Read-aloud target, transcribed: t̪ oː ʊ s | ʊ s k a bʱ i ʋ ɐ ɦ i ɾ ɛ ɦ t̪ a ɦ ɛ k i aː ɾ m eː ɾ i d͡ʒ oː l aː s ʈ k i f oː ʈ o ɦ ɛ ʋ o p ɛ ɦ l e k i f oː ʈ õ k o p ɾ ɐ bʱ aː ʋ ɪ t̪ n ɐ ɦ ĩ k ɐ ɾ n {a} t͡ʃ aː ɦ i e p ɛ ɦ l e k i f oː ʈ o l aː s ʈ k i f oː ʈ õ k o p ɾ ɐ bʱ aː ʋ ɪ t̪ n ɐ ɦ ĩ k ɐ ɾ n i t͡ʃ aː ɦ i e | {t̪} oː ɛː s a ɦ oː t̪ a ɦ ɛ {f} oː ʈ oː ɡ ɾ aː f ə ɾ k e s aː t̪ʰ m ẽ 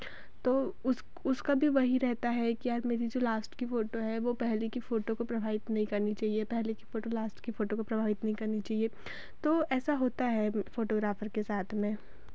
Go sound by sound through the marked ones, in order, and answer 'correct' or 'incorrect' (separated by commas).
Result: incorrect, correct, correct